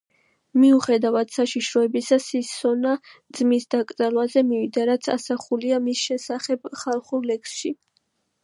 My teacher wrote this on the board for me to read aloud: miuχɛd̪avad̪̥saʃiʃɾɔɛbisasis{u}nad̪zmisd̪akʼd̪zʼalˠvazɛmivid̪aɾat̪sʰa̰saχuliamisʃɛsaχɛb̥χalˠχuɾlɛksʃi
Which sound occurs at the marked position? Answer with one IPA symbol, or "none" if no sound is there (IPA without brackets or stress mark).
ɔ